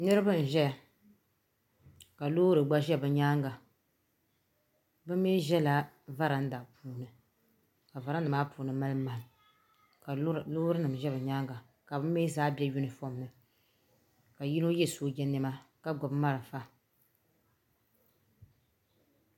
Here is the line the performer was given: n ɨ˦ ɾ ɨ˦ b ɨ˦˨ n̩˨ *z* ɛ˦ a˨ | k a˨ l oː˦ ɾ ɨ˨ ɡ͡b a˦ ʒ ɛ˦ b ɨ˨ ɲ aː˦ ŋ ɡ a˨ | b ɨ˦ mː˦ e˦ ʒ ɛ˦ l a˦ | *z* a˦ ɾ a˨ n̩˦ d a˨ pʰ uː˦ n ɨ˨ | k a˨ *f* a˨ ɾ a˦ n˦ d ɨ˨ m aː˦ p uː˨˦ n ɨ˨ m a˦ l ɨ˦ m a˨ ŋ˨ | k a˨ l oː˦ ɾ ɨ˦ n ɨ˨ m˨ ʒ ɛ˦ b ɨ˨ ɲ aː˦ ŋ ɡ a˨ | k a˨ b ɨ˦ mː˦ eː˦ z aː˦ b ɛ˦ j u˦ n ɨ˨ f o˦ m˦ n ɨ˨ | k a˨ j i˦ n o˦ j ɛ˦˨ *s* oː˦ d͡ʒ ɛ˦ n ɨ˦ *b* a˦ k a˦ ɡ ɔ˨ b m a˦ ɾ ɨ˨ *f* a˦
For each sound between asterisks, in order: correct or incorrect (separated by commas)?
incorrect, incorrect, incorrect, correct, incorrect, correct